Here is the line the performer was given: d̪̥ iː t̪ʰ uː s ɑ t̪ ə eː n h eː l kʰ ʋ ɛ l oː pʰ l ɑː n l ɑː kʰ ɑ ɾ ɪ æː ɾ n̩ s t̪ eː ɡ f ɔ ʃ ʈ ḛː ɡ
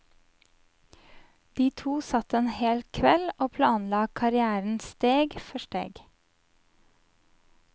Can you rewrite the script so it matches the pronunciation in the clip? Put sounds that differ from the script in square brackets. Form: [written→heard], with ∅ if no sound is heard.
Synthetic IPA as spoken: d̪̥ iː t̪ʰ uː s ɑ t̪ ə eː n h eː l kʰ ʋ ɛ l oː pʰ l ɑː n l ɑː kʰ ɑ ɾ ɪ æː ɾ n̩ s t̪ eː ɡ f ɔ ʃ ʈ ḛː ɡ